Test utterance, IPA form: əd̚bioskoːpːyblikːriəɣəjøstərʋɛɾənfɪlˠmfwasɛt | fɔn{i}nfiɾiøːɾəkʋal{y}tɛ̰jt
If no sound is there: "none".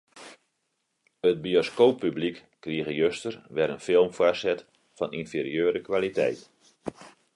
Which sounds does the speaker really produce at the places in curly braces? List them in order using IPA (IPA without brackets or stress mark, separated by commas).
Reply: i, i